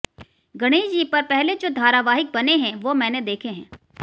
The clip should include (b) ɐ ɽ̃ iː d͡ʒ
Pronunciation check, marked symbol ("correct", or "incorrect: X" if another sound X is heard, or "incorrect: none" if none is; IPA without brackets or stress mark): incorrect: ɡ